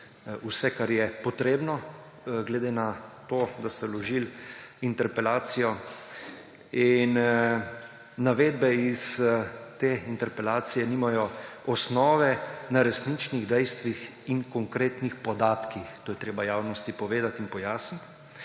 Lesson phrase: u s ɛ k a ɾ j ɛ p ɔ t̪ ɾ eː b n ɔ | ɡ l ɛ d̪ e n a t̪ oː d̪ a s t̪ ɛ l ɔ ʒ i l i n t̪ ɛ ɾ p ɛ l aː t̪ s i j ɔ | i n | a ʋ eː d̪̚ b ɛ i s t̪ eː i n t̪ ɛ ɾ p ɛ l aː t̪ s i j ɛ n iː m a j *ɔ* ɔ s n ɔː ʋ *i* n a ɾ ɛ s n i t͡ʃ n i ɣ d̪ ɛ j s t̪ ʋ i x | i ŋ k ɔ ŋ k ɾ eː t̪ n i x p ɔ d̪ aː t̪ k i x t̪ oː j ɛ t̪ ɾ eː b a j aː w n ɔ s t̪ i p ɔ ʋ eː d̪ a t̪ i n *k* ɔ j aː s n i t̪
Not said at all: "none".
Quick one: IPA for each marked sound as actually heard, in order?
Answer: ɔ, ɛ, p

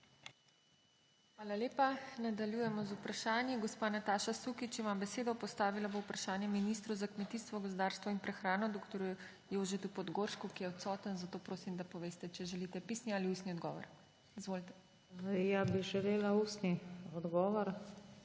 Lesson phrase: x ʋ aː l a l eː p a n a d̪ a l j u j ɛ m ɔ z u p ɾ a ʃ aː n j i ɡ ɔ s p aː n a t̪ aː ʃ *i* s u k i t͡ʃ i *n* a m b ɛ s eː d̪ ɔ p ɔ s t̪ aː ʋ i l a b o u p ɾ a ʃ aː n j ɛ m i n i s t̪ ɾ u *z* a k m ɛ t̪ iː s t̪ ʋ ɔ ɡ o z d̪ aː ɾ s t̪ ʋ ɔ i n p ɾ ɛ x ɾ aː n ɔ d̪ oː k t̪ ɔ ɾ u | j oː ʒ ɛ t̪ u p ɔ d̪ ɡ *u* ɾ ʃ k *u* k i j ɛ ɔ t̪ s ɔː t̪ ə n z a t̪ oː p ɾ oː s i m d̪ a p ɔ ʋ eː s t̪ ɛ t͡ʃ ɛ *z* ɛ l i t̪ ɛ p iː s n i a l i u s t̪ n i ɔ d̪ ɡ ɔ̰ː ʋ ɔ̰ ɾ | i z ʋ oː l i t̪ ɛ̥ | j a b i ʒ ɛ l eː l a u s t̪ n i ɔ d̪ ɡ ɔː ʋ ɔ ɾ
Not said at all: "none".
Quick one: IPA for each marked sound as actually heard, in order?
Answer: a, m, z, o, u, ʒ

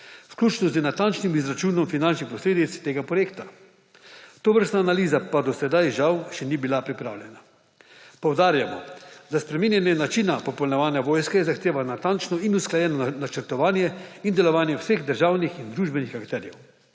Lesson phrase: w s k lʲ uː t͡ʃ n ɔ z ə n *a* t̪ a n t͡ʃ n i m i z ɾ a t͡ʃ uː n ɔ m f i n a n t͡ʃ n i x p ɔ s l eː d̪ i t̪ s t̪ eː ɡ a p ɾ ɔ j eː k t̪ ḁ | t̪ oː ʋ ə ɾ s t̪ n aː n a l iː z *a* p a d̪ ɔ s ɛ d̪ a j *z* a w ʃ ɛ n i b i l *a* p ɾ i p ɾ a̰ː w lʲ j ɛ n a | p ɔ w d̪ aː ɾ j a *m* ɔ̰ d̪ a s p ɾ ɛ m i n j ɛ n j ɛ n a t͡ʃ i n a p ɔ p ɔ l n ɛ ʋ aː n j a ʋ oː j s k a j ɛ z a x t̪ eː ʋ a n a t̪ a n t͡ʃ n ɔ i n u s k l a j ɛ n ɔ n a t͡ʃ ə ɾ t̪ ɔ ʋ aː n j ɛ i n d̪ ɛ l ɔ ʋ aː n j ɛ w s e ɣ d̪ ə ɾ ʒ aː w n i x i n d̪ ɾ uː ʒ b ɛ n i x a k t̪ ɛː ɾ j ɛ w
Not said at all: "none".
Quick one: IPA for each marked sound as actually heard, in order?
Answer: a, a, ʒ, a, m

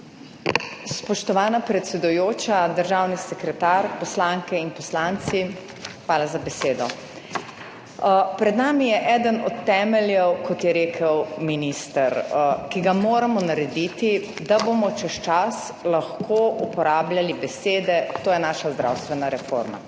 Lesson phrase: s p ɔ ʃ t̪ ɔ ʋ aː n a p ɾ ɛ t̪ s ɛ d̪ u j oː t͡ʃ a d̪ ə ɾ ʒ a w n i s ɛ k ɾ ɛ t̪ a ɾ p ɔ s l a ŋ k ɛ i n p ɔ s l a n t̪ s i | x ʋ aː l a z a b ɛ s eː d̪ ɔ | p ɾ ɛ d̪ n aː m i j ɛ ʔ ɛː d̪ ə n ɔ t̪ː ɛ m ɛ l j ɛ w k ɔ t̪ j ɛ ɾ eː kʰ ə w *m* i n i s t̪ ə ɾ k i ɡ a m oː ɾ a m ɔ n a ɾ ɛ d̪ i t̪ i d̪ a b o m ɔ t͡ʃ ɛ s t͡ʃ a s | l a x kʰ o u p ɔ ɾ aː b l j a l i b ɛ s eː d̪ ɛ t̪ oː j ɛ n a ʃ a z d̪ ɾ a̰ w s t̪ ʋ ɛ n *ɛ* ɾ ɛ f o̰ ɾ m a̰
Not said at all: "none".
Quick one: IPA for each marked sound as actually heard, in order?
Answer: m, a

